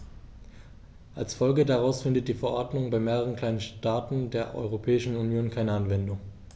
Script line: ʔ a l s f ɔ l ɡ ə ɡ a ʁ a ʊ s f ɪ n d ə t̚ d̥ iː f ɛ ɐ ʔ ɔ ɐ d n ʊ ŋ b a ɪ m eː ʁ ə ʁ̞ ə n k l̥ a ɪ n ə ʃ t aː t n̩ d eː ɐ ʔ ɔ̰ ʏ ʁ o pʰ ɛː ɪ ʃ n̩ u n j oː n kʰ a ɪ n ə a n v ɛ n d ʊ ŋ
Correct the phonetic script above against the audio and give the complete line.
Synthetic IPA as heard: ʔ a l s f ɔ l ɡ ə d a ʁ a ʊ s f ɪ n d ə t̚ d̥ iː f ɛ ɐ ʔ ɔ ɐ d n ʊ ŋ b a ɪ m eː ʁ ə ʁ̞ ə n k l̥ a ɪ n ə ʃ t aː t n̩ d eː ɐ ʔ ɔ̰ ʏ ʁ o pʰ ɛː ɪ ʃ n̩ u n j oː n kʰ a ɪ n ə a n v ɛ n d ʊ ŋ